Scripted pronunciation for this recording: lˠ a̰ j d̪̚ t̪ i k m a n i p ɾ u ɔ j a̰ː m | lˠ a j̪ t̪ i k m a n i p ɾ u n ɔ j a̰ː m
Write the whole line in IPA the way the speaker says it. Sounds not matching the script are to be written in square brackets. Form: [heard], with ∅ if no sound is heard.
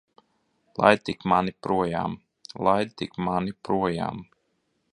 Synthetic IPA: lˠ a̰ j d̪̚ t̪ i k m a n i p ɾ u ɔ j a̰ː m | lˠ a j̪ t̪ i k m a n i p ɾ u [∅] ɔ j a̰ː m

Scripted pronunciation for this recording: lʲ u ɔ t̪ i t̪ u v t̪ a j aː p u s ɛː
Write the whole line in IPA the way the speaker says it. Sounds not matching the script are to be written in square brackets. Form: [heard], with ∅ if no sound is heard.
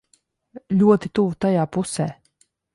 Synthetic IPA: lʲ u ɔ t̪ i t̪ u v t̪ a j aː p u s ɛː

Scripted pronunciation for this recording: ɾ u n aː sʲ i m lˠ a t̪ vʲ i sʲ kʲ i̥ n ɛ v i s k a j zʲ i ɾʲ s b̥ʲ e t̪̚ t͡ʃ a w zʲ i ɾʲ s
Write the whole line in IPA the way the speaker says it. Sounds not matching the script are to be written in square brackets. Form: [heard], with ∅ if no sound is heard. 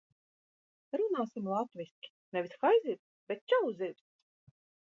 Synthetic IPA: ɾ u n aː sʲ i m lˠ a t̪ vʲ i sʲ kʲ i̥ n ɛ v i s [x] a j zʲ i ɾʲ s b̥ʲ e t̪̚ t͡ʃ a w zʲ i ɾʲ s

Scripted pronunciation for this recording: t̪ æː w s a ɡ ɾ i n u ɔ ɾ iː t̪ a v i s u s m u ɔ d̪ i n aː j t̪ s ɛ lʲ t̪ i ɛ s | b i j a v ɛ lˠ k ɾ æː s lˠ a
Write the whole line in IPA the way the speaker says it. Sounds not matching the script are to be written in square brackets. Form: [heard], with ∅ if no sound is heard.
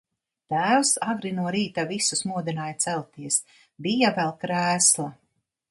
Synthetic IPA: t̪ æː w s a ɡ ɾ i n u ɔ ɾ iː t̪ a v i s u s m u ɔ d̪ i n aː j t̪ s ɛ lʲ t̪ i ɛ s | b i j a v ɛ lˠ k ɾ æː s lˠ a

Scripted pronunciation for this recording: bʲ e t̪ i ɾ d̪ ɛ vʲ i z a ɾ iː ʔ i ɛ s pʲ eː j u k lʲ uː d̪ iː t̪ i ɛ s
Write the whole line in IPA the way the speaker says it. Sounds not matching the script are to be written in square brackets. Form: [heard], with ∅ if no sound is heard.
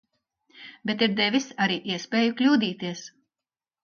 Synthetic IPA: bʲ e t̪ i ɾ d̪ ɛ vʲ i [s] a ɾ iː ʔ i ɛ s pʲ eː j u k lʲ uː d̪ iː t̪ i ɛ s

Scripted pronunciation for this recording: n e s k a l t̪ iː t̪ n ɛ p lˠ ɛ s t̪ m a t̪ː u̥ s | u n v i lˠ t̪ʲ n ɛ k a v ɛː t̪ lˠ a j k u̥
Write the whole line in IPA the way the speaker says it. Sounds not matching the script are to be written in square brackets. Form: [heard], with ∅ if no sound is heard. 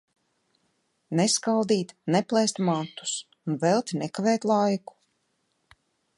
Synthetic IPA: n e s k a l [d̪] iː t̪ n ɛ p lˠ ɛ s t̪ m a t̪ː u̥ s | u n v [ɛ] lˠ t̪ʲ n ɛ k a v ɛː t̪ lˠ a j k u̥

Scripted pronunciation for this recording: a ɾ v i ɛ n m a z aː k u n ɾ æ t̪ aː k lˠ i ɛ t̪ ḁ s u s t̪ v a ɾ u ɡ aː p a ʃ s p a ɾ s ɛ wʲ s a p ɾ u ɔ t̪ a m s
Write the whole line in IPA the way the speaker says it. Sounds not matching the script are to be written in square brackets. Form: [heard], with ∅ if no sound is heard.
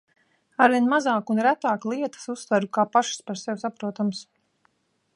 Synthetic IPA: a ɾ v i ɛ n m a z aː k u n ɾ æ t̪ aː k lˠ i ɛ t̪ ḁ s u s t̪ v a ɾ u [k] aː p a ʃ s p a ɾ s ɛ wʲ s a p ɾ u ɔ t̪ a m s

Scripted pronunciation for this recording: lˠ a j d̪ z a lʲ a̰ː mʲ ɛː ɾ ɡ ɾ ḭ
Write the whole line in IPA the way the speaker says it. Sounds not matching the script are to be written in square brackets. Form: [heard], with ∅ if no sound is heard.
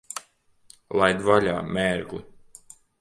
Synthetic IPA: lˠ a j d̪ [v] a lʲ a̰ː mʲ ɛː ɾ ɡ [l] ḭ

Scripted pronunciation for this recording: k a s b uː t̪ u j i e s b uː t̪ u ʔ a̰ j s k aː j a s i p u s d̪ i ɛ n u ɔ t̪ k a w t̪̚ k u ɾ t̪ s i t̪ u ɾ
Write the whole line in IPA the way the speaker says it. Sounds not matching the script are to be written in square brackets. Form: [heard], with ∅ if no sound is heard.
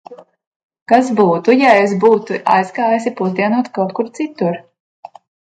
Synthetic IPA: k a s b uː t̪ u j [a] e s b uː t̪ u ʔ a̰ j s k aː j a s i p u [z] d̪ i ɛ n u ɔ t̪ k a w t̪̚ k u ɾ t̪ s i t̪ u ɾ

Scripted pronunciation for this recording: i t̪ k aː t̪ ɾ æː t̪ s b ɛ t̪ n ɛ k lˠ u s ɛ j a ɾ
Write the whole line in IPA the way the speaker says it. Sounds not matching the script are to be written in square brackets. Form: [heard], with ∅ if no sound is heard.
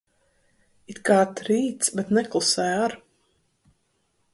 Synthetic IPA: i t̪ k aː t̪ ɾ [iː] t̪ s b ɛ t̪ n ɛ k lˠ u s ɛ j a ɾ

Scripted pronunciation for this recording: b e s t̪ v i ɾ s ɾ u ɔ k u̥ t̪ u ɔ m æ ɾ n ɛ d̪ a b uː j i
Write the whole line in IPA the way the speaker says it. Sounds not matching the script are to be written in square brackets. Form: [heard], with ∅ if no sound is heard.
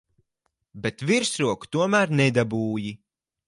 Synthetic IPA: b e [∅] t̪ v i ɾ s ɾ u ɔ k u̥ t̪ u ɔ m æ ɾ n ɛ d̪ a b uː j i

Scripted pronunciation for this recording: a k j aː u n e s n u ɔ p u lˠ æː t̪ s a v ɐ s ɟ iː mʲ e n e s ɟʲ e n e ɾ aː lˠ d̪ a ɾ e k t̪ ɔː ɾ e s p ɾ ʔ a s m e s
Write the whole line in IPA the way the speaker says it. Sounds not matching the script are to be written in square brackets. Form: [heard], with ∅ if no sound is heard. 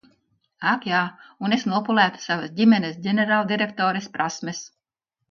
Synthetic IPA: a k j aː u n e s n u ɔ p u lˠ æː t̪ s a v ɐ s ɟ [i] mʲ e n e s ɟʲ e n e ɾ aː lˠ d̪ [i] ɾ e k t̪ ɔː ɾ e s p ɾ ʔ a s m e s

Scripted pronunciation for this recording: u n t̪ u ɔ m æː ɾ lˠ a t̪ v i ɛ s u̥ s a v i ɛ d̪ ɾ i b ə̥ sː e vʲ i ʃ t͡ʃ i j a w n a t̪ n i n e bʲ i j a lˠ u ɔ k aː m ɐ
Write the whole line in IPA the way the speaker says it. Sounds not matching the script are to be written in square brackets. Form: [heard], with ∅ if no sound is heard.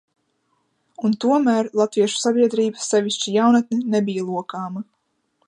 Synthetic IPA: u n t̪ u ɔ m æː ɾ lˠ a t̪ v i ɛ [ʃ] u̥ s a [b] i ɛ d̪ ɾ [iː] b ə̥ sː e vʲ i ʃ t͡ʃ i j a w n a t̪ n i n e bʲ i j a lˠ u ɔ k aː m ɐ

